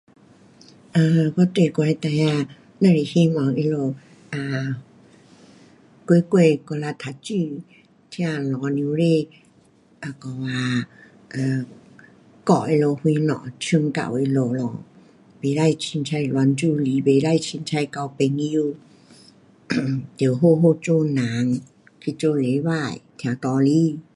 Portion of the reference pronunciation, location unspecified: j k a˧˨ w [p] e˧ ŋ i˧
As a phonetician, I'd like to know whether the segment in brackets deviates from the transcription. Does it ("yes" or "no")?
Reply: no